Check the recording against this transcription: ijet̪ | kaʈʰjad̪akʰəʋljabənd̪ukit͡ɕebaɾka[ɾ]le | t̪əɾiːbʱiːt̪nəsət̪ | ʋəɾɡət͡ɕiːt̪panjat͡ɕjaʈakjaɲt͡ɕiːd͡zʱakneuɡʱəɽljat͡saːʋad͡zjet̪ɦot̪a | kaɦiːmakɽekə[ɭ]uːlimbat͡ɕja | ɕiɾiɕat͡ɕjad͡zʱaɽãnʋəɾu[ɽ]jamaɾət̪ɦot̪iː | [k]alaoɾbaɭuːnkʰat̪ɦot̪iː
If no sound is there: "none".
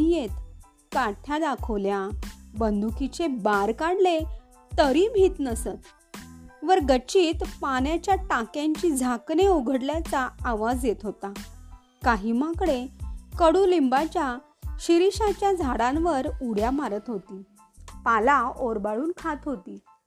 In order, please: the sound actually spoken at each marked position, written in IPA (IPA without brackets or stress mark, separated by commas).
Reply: ɽ, ɽ, ɽ, p